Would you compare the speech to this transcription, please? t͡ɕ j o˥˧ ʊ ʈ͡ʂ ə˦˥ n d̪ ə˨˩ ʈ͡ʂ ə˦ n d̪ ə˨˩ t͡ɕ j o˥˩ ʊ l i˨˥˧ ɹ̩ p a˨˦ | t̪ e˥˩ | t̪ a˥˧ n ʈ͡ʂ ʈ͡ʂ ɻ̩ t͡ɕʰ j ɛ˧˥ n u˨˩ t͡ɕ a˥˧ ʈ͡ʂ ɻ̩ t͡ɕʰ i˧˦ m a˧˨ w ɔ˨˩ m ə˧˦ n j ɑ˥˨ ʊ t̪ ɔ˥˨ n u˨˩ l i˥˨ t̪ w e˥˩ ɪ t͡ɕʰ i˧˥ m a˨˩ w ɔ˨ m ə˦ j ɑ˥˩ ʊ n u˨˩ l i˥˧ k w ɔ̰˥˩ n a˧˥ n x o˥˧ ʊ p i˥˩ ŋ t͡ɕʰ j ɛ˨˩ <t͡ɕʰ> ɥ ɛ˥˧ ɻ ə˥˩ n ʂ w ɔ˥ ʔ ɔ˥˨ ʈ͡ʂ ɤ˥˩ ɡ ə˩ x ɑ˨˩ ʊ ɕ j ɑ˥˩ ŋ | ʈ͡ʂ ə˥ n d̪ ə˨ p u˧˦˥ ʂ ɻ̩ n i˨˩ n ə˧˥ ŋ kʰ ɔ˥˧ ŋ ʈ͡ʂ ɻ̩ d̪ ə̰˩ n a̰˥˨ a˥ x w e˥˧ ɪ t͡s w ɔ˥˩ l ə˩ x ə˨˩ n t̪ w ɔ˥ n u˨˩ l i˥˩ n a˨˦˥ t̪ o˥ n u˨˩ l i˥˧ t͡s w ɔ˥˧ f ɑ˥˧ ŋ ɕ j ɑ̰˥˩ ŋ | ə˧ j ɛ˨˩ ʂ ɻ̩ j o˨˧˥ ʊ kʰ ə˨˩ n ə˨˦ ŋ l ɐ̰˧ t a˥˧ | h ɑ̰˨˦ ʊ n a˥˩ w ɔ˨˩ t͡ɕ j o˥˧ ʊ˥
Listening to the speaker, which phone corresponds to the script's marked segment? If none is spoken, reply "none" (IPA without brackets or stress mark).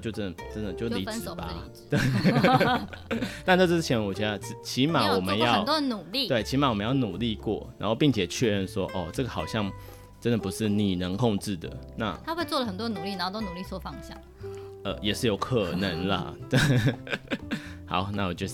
t͡ɕʰ